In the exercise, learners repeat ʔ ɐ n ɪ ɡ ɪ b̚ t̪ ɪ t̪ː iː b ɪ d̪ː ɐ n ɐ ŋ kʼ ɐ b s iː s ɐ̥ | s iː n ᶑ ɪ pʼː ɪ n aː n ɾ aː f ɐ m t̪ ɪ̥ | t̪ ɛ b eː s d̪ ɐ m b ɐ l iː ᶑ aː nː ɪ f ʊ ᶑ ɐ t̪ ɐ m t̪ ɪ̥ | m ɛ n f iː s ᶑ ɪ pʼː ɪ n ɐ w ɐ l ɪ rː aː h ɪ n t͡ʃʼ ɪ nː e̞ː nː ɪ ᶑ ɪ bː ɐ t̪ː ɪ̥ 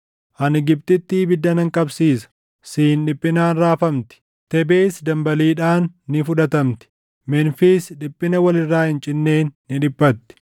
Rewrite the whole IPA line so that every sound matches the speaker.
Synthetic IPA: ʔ ɐ n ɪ ɡ ɪ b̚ t̪ ɪ t̪ː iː b ɪ d̪ː ɐ n ɐ ŋ kʼ ɐ b s iː s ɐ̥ | s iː n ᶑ ɪ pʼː ɪ n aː n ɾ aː f ɐ m t̪ ɪ̥ | t̪ ɛ b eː s d̪ ɐ m b ɐ l iː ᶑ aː nː ɪ f ʊ ᶑ ɐ t̪ ɐ m t̪ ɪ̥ | m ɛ n f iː s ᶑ ɪ pʼː ɪ n ɐ w ɐ l ɪ rː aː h ɪ n t͡ʃʼ ɪ nː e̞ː nː ɪ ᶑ ɪ bː ɐ t̪ː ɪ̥